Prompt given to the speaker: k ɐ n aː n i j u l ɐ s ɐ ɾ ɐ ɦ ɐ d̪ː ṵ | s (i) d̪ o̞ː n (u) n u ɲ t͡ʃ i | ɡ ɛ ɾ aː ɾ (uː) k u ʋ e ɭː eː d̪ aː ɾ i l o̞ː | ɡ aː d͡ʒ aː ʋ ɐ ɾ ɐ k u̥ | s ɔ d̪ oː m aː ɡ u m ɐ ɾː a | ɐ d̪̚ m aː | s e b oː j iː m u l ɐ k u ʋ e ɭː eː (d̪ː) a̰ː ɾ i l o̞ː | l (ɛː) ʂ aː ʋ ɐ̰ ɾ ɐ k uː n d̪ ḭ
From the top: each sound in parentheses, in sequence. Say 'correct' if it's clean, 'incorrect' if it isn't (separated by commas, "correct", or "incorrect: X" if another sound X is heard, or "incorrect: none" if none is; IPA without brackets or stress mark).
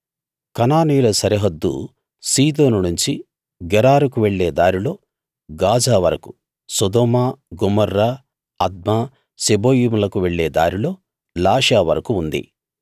incorrect: iː, correct, incorrect: u, incorrect: d̪, incorrect: aː